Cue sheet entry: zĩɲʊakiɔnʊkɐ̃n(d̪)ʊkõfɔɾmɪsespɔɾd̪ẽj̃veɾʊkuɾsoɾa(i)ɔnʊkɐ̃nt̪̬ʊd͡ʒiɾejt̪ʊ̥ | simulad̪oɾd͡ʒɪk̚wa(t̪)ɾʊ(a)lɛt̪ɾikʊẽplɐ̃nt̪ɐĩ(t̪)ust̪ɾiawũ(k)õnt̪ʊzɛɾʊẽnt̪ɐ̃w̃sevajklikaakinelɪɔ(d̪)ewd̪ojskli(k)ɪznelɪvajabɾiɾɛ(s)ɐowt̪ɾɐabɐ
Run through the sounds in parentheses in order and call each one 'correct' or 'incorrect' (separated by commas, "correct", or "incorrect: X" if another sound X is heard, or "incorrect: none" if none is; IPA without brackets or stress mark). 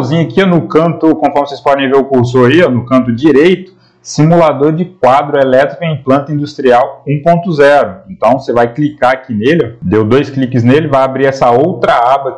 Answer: incorrect: t̪, correct, incorrect: d̪, incorrect: e, incorrect: d̪, incorrect: p, correct, correct, correct